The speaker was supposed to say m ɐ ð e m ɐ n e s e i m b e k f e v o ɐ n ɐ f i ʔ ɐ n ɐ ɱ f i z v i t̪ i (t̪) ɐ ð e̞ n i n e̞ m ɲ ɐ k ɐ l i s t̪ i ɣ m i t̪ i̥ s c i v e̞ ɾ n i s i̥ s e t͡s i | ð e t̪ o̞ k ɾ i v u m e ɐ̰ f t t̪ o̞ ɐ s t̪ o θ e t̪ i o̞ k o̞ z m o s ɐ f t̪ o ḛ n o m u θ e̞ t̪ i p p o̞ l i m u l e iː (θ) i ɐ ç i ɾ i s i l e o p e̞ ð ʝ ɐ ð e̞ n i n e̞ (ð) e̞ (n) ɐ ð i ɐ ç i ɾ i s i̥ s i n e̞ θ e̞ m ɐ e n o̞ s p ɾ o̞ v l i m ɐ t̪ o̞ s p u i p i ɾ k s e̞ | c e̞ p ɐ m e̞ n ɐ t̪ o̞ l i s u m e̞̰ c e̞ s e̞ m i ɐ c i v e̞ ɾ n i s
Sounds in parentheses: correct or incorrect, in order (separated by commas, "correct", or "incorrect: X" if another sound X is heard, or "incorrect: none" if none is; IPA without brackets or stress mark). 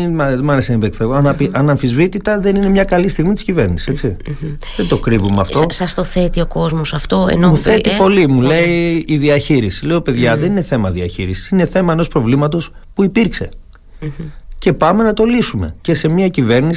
correct, incorrect: ð, incorrect: θ, incorrect: m